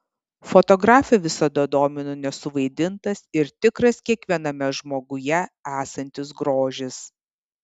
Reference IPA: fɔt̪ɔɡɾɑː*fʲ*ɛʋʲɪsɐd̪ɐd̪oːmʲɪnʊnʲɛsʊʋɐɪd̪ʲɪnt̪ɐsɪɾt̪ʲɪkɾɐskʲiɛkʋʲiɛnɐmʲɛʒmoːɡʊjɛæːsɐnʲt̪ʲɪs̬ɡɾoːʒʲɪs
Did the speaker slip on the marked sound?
no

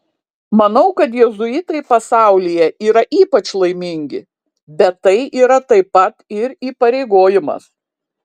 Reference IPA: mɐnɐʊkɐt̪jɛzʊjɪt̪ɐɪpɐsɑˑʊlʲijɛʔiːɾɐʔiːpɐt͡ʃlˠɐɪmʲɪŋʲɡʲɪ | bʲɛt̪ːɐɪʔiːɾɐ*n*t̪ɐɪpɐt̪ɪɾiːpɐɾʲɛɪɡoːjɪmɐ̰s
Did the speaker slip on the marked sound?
yes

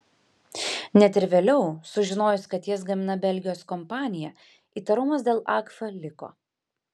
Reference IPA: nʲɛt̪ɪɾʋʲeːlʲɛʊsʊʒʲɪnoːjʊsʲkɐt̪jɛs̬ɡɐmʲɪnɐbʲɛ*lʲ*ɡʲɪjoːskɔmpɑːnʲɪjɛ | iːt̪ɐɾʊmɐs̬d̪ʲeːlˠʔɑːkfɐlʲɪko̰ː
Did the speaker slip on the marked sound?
no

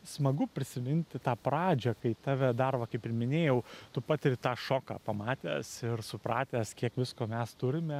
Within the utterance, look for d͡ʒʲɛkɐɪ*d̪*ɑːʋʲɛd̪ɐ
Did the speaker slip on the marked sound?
yes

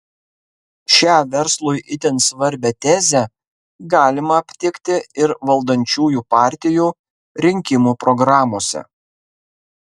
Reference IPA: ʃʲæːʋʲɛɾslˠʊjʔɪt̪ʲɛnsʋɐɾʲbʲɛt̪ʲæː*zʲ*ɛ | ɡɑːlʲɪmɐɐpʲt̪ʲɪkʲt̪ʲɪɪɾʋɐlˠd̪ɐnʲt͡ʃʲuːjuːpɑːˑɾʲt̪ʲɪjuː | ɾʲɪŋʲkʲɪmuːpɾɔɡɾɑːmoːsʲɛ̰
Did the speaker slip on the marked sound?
no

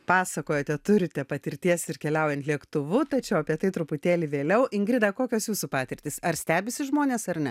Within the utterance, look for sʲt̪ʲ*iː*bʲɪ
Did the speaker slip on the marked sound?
yes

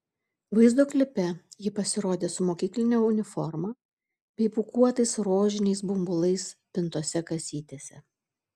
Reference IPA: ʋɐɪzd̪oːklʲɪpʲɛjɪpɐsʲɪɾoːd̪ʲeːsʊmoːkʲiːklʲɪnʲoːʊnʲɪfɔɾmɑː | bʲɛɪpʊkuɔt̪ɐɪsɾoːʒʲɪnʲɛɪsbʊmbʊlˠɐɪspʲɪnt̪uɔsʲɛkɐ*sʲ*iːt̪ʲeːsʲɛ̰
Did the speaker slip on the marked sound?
no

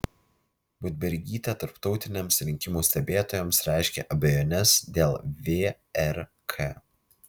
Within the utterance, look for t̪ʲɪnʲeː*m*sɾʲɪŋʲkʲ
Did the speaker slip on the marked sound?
no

